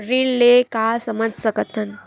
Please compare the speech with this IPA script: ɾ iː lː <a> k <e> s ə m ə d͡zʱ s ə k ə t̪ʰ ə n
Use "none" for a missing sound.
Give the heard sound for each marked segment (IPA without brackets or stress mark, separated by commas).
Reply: e, a